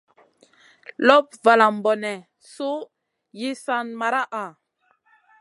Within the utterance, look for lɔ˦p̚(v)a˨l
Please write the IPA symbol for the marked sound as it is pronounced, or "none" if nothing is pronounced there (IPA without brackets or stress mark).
v